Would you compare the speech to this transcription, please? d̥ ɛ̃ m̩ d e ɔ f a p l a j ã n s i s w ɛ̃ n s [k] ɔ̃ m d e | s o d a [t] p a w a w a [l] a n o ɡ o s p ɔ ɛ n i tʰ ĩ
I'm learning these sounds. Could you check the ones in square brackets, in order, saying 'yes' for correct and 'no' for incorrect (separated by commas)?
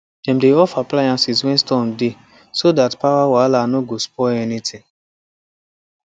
no, yes, yes